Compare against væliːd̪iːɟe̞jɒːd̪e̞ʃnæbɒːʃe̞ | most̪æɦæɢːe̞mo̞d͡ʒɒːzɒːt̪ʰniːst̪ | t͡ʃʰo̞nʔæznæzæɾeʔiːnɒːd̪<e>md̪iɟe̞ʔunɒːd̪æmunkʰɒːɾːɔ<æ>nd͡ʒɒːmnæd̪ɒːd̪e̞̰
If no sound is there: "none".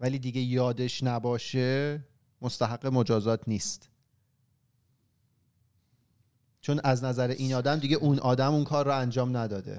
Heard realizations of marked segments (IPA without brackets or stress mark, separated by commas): æ, æ